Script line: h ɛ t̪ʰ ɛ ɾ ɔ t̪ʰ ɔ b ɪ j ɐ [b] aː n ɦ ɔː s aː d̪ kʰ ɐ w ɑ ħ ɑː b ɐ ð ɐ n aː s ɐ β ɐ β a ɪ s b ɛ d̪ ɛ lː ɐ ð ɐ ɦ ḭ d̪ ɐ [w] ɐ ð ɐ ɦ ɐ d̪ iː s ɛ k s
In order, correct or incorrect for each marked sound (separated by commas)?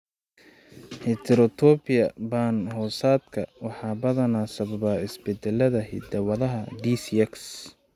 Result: correct, correct